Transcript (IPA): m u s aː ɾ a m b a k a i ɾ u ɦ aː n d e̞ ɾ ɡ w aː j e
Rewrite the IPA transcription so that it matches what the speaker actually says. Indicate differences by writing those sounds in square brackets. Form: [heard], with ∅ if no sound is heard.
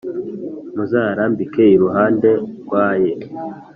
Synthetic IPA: m u [z] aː ɾ a m b [i] k [e] i ɾ u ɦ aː n d e̞ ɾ ɡ w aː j e